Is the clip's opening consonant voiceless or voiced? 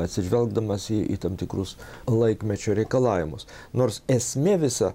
voiceless